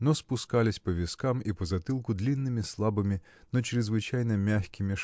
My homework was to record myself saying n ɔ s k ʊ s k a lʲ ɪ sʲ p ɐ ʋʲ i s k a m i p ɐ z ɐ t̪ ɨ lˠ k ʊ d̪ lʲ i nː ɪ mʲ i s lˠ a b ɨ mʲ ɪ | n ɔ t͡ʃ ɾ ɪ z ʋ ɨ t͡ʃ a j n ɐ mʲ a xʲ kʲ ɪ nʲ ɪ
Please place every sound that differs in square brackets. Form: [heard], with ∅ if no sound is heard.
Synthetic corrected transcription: n ɔ s [p] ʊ s k a lʲ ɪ sʲ p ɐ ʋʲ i s k a m i p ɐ z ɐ t̪ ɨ lˠ k ʊ d̪ lʲ i nː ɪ mʲ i s lˠ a b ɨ mʲ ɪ | n ɔ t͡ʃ ɾ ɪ z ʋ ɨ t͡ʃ a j n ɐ mʲ a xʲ kʲ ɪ [mʲ] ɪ